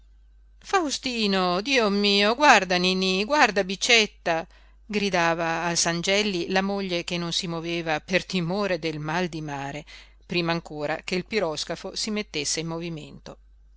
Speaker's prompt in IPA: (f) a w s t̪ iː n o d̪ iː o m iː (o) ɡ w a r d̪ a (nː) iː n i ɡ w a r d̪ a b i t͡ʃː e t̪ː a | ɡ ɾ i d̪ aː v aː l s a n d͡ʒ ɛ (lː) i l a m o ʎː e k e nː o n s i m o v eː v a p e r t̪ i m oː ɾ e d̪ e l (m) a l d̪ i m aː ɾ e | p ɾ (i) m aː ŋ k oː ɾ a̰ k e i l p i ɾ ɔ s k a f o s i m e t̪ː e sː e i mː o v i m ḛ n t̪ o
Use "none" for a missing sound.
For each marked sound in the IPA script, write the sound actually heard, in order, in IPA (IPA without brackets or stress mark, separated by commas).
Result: f, o, n, lː, m, iː